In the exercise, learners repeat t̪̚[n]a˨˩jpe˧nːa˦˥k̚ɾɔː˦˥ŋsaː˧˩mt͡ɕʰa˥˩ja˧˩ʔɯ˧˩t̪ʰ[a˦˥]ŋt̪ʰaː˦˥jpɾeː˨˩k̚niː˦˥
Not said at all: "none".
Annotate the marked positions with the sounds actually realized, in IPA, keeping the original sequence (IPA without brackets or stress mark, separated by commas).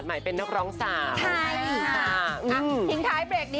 m, i˦˥